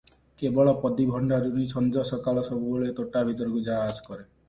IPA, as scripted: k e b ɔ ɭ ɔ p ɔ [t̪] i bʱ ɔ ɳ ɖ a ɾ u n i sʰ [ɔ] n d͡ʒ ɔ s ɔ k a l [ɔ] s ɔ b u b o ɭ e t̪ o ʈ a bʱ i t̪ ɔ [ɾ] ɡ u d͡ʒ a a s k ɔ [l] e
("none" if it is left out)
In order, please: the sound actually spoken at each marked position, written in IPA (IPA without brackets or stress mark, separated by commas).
d̪, ɔ, ɔ, ɾ, ɾ